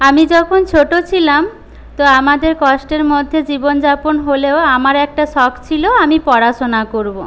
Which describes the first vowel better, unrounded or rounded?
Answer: unrounded